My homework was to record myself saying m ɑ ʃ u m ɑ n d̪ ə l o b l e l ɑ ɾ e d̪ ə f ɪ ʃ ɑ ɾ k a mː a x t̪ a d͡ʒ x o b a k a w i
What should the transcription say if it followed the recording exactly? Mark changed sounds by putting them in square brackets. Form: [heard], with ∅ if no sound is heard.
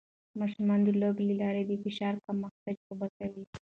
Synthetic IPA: m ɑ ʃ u m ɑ n d̪ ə l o b l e l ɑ ɾ e d̪ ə f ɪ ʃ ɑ ɾ k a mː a x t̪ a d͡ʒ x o b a k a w i